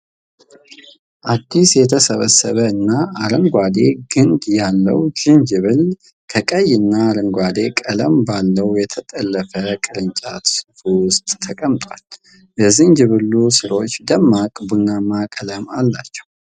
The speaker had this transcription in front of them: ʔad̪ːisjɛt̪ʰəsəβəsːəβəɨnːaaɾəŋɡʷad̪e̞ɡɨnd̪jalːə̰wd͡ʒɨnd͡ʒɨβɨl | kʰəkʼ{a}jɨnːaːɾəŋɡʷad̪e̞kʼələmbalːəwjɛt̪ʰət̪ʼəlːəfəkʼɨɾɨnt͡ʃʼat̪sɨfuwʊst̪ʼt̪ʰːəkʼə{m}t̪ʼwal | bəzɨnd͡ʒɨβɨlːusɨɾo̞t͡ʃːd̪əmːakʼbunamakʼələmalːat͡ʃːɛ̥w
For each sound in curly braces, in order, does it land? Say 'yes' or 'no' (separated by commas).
no, yes